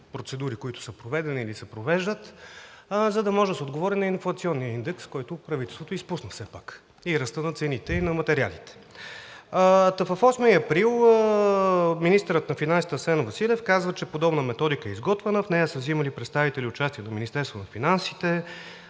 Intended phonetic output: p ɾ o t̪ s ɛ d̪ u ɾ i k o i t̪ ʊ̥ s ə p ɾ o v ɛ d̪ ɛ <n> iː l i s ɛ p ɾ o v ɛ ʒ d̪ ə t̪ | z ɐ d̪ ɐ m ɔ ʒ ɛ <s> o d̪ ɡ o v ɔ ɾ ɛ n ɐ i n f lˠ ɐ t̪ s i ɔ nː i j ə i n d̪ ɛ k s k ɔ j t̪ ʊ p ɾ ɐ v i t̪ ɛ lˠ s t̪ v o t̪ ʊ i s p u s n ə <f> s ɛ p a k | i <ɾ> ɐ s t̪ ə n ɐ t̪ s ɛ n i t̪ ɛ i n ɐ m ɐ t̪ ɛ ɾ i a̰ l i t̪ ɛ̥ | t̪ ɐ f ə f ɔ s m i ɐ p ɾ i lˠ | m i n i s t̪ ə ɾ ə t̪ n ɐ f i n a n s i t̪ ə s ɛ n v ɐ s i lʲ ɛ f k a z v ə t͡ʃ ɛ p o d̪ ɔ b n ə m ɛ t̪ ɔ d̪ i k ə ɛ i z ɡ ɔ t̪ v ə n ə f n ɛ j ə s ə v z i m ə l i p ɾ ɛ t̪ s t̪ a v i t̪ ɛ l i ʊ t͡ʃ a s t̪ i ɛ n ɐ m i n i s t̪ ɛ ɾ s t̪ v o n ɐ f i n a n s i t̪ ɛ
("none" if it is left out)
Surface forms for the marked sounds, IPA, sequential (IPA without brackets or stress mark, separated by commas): n, s, f, ɾ